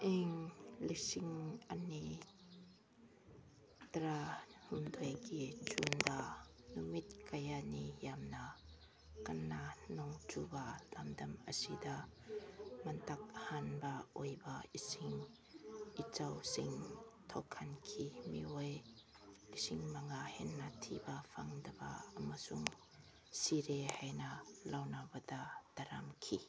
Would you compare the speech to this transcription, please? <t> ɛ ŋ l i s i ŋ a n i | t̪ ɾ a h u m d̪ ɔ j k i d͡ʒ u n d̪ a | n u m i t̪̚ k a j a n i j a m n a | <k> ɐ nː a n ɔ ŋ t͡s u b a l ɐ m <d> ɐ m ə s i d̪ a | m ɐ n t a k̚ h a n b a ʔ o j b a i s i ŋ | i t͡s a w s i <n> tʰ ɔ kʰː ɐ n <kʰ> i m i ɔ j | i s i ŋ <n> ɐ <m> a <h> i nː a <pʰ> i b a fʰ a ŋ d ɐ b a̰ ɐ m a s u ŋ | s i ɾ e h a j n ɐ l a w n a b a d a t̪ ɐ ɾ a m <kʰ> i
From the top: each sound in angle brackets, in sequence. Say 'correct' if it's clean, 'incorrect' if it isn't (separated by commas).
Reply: incorrect, correct, correct, incorrect, correct, incorrect, incorrect, correct, incorrect, correct